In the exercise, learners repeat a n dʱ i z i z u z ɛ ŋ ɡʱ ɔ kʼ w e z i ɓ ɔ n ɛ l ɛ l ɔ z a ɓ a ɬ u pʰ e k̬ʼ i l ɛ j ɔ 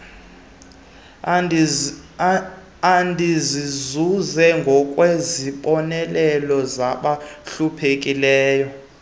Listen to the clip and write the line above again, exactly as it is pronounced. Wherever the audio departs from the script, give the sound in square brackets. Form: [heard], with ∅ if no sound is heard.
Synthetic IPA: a n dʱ i z i z u z ɛ ŋ ɡʱ ɔ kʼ w e z i ɓ ɔ n ɛ l ɛ l ɔ z a ɓ a ɬ u pʰ e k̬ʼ i l [ɛː] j ɔ